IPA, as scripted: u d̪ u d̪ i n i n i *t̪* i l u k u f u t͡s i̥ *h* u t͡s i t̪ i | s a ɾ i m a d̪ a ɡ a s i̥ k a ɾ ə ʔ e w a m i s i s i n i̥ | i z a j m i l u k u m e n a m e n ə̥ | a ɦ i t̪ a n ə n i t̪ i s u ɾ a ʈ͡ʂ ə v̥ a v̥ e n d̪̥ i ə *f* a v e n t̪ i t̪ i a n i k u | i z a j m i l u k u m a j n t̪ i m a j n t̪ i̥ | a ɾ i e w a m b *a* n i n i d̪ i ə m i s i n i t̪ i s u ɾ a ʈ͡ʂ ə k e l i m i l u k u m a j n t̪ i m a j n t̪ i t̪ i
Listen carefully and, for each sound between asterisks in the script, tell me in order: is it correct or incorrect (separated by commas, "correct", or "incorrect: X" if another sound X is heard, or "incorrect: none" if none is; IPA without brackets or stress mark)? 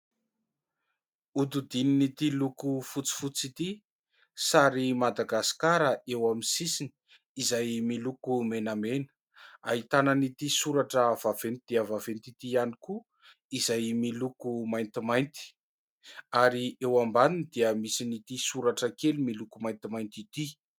correct, incorrect: f, incorrect: v, correct